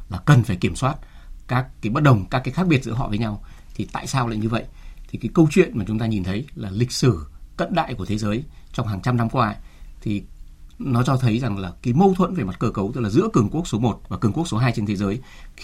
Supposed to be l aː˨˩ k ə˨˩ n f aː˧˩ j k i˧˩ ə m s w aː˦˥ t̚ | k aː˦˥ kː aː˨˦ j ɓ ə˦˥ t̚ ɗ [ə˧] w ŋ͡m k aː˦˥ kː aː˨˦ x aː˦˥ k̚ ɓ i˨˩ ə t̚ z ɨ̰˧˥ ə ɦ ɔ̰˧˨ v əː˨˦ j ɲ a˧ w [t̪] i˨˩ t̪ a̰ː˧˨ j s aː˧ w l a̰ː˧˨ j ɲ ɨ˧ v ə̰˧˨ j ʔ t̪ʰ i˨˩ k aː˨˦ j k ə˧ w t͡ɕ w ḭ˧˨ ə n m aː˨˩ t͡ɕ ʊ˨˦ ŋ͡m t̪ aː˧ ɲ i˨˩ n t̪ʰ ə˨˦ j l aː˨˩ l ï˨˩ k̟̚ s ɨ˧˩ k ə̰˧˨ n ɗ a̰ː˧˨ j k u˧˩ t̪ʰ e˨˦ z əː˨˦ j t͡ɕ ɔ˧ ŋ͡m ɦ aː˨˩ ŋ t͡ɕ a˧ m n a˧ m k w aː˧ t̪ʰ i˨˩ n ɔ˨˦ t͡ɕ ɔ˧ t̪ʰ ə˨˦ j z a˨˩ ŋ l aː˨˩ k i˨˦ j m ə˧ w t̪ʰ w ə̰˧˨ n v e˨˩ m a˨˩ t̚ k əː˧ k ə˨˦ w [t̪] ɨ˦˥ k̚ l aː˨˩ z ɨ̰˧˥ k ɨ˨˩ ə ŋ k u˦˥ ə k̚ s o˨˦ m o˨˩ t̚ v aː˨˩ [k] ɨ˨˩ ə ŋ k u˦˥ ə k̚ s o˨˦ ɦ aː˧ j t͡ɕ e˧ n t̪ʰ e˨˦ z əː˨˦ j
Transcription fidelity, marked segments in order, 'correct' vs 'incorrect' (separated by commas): incorrect, incorrect, correct, correct